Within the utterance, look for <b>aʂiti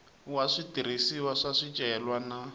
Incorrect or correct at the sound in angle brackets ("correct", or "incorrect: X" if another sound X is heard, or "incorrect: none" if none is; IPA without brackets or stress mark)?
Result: incorrect: w